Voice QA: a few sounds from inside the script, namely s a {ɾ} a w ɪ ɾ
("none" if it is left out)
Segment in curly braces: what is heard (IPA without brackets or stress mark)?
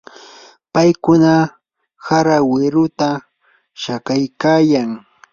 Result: ɾ